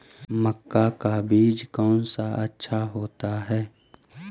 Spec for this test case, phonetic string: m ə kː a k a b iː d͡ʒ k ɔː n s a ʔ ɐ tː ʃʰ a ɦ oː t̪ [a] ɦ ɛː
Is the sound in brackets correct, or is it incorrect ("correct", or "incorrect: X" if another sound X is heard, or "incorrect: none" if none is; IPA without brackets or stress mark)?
correct